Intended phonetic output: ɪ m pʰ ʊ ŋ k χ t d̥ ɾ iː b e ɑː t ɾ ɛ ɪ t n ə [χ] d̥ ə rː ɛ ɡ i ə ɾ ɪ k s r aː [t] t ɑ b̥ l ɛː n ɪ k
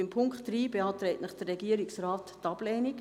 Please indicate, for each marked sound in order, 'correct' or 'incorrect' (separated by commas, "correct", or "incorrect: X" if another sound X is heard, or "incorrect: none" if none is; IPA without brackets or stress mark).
correct, correct